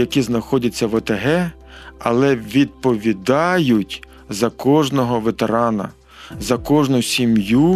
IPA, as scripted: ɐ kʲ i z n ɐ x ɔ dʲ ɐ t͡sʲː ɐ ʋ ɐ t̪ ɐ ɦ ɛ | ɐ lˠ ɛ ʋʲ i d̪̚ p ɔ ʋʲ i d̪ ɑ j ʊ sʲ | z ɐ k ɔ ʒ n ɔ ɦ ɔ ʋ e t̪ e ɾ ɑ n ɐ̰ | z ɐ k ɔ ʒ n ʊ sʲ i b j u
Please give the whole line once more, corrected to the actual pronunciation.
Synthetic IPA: ɐ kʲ i z n ɐ x ɔ dʲ ɐ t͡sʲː ɐ ʋ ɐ t̪ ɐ ɦ ɛ | ɐ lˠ ɛ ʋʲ i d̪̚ p ɔ ʋʲ i d̪ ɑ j ʊ tʲ | z ɐ k ɔ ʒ n ɔ ɦ ɔ ʋ e t̪ e ɾ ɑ n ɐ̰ | z ɐ k ɔ ʒ n ʊ sʲ i m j u